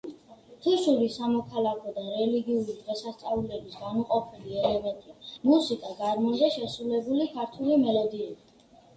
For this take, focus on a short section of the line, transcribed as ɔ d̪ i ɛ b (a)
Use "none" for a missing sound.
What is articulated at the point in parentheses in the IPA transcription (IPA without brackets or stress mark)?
i